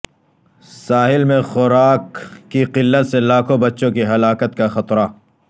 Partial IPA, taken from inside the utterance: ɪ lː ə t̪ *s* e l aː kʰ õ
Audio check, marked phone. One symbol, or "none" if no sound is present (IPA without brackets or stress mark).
s